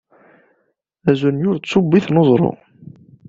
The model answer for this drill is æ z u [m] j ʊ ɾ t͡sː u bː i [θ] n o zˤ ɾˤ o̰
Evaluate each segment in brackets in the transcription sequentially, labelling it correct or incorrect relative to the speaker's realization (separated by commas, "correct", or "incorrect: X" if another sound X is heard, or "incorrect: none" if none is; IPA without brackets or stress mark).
incorrect: n, correct